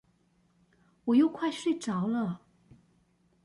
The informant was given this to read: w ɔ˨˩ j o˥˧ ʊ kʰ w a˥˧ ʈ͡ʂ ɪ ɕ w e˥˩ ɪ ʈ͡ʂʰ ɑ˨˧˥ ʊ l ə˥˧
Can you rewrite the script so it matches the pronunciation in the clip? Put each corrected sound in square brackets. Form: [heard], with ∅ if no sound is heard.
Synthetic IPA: w ɔ˨˩ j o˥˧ ʊ kʰ w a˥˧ [∅] ɪ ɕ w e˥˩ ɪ [ʈ͡ʂ] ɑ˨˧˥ ʊ l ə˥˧